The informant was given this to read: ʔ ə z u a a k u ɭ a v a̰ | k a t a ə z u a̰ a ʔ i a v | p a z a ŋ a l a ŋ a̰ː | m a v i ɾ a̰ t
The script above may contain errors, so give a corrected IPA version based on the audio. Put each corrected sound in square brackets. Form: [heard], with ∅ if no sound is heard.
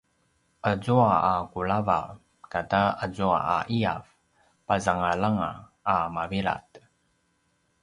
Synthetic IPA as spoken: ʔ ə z u a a k u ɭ a v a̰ | k a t a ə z u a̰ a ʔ i a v | p a z a ŋ a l a ŋ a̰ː | m a v i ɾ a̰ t